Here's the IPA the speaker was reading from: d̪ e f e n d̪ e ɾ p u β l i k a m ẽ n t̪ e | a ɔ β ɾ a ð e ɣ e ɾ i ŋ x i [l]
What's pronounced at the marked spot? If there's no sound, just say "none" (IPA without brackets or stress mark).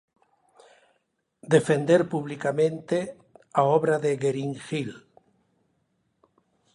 l